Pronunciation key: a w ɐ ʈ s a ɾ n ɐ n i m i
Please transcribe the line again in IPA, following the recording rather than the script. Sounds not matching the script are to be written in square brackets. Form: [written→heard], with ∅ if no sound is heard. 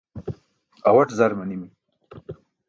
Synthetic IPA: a w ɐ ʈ [s→z] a ɾ [n→m] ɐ n i m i